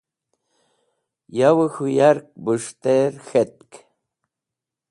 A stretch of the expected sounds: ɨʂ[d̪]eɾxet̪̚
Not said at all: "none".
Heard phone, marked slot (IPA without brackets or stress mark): t̪